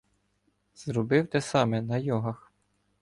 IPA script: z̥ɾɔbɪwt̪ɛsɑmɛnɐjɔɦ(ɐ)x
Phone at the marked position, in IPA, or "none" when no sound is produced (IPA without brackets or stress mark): ɐ